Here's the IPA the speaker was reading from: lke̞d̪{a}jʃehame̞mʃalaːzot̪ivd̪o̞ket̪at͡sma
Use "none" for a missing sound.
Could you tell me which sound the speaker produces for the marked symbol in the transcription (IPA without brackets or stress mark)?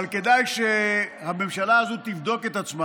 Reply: a